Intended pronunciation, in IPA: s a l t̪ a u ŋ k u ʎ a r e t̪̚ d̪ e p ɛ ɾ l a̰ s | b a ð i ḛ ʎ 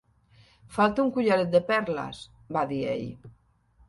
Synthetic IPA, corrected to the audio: f a l t̪ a u ŋ k u ʎ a ɾ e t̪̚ d̪ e p ɛ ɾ l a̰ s | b a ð i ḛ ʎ